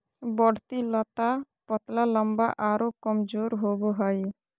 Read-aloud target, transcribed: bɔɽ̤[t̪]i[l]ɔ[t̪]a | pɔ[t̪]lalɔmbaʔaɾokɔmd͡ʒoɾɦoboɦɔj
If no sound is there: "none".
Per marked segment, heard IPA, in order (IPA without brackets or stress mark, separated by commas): t̪, l, t̪, t̪